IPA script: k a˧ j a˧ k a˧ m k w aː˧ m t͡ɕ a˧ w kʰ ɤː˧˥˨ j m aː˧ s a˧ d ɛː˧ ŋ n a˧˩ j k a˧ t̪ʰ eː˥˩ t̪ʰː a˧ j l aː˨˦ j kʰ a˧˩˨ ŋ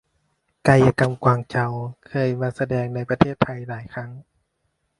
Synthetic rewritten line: k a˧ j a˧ k a˧ m k w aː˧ ŋ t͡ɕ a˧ w kʰ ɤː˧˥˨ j m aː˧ s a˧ d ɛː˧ ŋ n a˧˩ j p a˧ t̪ʰ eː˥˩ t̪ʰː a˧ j l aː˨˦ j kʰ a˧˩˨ ŋ